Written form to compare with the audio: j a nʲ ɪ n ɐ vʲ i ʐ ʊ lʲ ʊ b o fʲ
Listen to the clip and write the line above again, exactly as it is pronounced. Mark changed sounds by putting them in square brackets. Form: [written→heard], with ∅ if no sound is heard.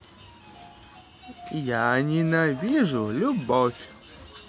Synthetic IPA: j a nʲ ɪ n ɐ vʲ i ʐ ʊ lʲ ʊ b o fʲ